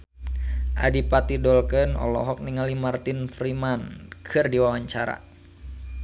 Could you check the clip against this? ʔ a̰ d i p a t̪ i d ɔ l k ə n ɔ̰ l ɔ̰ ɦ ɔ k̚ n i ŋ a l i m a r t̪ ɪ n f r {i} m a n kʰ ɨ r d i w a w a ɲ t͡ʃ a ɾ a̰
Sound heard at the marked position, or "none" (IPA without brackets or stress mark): i